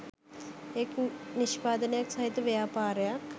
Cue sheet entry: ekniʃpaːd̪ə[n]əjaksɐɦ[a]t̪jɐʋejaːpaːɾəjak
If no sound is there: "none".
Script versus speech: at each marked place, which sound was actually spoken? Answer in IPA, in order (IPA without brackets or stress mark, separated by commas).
n, i